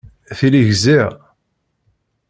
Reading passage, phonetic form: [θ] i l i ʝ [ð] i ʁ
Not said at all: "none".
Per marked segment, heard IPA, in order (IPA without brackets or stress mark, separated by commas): θ, z